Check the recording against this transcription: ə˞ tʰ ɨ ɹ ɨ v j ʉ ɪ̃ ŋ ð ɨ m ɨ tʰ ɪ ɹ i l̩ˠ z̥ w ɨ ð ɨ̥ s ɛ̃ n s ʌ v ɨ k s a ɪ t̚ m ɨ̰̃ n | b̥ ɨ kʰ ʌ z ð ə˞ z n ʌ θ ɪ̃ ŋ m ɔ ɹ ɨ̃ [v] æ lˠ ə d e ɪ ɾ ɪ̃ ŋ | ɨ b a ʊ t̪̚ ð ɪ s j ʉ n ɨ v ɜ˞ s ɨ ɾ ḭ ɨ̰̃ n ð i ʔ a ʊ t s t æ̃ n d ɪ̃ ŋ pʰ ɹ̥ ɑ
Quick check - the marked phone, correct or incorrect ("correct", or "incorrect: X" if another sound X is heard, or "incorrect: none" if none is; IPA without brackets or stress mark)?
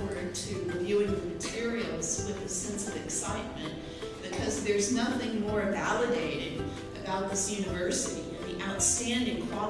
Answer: correct